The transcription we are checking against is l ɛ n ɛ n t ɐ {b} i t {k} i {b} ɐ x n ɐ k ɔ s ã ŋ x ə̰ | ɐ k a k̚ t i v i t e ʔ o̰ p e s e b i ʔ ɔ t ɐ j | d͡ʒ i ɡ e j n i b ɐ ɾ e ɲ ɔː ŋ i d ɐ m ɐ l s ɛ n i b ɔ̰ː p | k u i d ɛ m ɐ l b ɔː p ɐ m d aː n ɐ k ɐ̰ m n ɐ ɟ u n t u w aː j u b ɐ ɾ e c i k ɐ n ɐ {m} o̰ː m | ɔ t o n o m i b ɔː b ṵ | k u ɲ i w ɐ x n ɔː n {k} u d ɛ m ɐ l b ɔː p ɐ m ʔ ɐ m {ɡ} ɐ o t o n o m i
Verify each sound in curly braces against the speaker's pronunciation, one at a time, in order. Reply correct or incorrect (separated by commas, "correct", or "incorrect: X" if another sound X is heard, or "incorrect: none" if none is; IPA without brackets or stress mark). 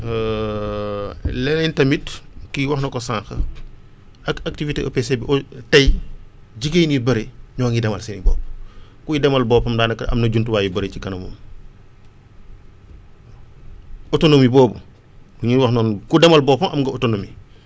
incorrect: m, correct, incorrect: w, correct, correct, correct